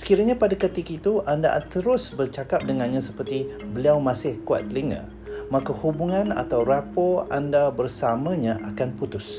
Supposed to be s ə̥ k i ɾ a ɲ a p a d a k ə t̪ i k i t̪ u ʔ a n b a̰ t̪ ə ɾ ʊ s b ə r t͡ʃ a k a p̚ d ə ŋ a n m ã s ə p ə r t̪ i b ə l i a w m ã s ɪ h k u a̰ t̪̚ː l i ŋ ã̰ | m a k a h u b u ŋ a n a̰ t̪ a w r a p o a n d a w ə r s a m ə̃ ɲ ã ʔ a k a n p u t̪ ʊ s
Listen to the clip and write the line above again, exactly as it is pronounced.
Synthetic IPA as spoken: s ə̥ k i ɾ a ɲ a p a d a k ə t̪ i k i t̪ u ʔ a n d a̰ t̪ ə ɾ ʊ s b ə r t͡ʃ a k a p̚ d ə ŋ a n ɲ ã s ə p ə r t̪ i b ə l i a w m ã s ɪ h k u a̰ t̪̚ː l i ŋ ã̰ | m a k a h u b u ŋ a n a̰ t̪ a w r a p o a n d a b ə r s a m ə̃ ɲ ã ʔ a k a n p u t̪ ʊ s